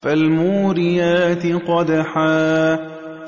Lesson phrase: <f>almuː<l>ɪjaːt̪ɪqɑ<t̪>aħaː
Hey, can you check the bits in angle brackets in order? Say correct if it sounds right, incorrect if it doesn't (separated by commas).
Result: correct, incorrect, incorrect